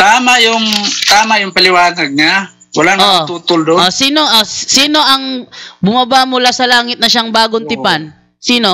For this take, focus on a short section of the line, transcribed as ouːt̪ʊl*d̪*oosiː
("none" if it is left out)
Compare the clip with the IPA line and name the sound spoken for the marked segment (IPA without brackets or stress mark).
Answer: d̪